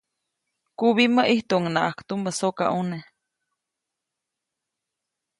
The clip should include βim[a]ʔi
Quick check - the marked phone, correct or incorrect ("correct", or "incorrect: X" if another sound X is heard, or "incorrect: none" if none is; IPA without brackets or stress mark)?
incorrect: ə